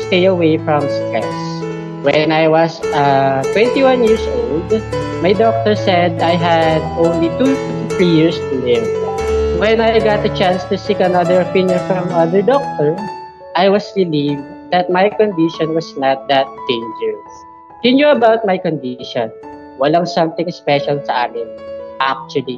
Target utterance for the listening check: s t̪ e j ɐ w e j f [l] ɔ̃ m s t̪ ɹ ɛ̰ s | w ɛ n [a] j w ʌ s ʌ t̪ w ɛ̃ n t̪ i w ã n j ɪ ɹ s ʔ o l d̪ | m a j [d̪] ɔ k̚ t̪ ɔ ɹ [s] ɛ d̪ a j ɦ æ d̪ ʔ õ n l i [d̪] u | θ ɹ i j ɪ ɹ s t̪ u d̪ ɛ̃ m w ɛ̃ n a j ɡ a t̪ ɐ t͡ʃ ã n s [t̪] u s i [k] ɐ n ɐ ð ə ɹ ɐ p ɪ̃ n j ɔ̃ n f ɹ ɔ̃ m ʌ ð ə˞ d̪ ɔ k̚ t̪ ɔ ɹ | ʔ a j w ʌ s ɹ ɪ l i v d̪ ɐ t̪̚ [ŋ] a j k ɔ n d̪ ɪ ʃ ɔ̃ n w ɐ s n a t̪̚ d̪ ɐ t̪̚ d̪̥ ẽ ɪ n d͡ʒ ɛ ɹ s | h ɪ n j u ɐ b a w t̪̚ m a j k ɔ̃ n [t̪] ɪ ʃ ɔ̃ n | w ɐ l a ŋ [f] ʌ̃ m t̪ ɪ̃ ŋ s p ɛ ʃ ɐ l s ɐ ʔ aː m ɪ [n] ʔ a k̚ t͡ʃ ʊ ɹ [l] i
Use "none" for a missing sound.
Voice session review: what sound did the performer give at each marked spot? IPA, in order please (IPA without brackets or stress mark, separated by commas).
ɹ, a, d̪, s, t̪, t̪, k, m, d̪, s, n, l